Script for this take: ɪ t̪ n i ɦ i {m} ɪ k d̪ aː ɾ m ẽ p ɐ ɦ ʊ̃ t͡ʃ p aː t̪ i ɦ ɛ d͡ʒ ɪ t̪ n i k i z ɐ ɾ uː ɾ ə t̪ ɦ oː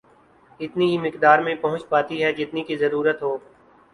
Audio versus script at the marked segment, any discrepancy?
no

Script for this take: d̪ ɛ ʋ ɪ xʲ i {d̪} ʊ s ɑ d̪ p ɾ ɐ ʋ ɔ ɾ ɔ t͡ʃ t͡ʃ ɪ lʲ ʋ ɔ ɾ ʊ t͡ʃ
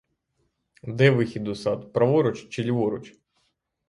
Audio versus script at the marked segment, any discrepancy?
no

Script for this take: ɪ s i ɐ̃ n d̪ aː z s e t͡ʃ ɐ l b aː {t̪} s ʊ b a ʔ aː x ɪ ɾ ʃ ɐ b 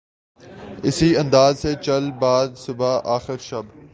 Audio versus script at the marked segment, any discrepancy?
yes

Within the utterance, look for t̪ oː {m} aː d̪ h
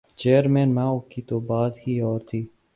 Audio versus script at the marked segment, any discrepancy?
yes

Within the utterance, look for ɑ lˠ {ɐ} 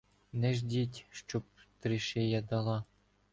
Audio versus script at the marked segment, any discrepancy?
yes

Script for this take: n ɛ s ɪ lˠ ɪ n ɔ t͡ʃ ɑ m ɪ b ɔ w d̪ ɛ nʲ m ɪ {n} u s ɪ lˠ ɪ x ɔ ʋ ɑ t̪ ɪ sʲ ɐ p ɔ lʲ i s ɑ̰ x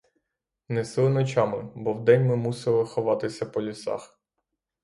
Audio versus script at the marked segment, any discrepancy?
yes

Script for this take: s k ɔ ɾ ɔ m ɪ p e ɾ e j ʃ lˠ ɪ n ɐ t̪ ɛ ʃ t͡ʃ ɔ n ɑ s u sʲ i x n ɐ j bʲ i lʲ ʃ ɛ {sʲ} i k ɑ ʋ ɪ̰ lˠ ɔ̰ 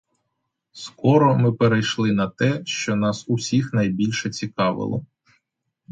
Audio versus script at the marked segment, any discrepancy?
yes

